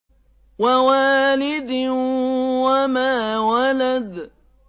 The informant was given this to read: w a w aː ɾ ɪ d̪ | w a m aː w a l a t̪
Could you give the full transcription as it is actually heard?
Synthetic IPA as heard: w a w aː l ɪ d̪ | w a m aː w a l a d̪